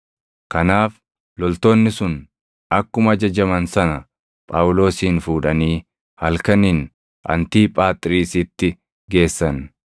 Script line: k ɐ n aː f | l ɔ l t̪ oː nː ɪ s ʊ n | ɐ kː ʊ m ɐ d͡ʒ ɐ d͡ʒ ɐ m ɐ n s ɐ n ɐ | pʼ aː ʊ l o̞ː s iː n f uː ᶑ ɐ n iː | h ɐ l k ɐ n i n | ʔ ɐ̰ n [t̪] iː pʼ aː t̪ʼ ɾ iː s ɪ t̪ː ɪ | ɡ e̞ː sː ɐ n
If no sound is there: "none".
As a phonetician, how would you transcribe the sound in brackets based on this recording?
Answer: t̪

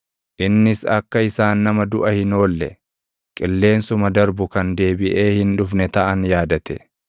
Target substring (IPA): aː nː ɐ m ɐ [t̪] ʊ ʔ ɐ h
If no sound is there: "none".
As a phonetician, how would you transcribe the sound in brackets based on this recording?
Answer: d̪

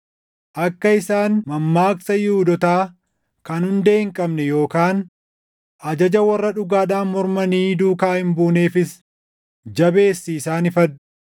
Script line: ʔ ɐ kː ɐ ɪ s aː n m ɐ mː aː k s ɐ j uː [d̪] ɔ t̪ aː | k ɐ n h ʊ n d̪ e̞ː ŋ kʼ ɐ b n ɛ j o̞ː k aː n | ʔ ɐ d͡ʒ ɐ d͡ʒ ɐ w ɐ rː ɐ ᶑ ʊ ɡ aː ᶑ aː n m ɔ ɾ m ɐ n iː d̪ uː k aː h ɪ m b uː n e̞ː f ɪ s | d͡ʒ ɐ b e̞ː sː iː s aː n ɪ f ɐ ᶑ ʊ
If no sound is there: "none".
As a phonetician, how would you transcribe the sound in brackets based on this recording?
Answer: d̪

